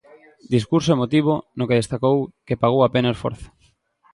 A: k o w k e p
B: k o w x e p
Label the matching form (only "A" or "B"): A